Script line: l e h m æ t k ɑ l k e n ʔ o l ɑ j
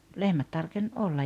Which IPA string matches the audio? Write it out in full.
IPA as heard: l e h m æ t t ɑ r k e n ʔ o lː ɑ j